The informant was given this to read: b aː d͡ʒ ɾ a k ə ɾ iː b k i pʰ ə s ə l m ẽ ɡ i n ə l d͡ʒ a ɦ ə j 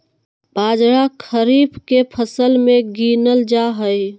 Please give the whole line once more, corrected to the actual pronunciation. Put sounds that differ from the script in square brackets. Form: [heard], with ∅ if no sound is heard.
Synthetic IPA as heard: b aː d͡ʒ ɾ a [kʰ] ə ɾ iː b k [e] pʰ ə s ə l m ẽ ɡ i n ə l d͡ʒ a ɦ ə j

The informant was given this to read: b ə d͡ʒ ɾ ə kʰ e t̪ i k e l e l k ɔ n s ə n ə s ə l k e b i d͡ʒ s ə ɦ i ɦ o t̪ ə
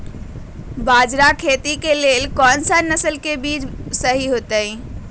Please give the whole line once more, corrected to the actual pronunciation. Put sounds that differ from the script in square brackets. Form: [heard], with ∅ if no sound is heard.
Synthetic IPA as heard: b [a] d͡ʒ ɾ [a] kʰ e t̪ i k e l e l k ɔ n s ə n ə s ə l k e b i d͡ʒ s ə ɦ i ɦ o t̪ ə

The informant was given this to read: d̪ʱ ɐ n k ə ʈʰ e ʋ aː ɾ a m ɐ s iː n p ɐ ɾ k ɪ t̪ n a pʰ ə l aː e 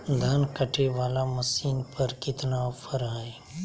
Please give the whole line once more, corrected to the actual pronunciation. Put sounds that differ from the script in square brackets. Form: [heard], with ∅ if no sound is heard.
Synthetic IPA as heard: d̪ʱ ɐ n k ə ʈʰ e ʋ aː [l] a m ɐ s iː n p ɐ ɾ k ɪ t̪ n a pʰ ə [ɾ] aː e

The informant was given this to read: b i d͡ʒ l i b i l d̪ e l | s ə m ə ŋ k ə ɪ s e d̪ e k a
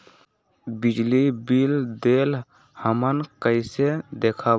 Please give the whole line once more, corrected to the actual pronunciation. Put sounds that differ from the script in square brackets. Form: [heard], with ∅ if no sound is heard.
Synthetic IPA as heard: b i d͡ʒ l i b i l d̪ e l | [h] ə m ə [n] k ə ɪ s e d̪ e [kʰ] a

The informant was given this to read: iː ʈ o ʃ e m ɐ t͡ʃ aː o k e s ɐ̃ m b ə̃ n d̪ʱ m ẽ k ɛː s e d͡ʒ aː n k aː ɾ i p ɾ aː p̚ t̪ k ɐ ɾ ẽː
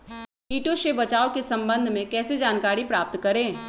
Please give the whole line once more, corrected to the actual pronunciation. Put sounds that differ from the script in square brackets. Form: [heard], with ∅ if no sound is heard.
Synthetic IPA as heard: iː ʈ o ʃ e [b] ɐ t͡ʃ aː o k e s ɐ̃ m b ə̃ n d̪ʱ m ẽ k ɛː s e d͡ʒ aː n k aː ɾ i p ɾ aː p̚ t̪ k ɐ ɾ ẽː

